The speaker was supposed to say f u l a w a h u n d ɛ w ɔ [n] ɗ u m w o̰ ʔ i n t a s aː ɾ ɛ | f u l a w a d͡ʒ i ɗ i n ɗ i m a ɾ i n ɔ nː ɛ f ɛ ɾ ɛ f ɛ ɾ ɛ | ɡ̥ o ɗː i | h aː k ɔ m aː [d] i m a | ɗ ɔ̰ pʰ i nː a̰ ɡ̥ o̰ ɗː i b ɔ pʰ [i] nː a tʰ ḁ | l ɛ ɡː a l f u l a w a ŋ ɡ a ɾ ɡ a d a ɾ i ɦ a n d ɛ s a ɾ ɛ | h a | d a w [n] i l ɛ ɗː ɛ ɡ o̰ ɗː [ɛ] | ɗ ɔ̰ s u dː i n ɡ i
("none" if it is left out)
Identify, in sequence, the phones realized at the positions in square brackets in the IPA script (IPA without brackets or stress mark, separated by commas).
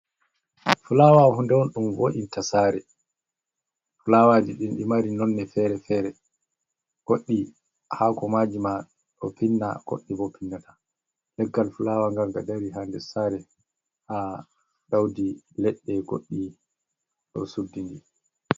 n, d͡ʒ, i, d, i